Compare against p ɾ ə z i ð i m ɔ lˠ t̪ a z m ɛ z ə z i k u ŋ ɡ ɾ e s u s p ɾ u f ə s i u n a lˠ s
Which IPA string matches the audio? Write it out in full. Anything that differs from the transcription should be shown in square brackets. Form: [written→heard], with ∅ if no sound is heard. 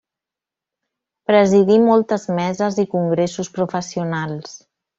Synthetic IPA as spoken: p ɾ ə z i ð i m ɔ lˠ t̪ [a→ə] z m ɛ z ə z i k u ŋ ɡ ɾ e s u s p ɾ u f ə s i u n a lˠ s